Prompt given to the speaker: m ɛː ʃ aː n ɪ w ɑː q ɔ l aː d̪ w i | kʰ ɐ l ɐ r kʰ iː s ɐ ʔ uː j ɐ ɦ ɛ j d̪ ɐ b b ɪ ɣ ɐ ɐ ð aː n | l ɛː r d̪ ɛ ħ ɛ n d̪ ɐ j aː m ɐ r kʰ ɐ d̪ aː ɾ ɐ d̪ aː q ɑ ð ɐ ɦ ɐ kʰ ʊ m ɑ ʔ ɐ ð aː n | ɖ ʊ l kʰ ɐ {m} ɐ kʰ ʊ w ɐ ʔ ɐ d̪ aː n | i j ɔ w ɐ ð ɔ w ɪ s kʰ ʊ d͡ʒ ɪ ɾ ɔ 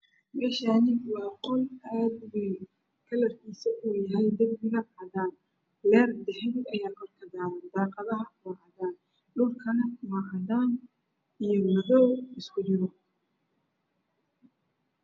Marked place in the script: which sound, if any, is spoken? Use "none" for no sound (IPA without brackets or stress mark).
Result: n